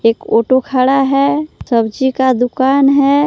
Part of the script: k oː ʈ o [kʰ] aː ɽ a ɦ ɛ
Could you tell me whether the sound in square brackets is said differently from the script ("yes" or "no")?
no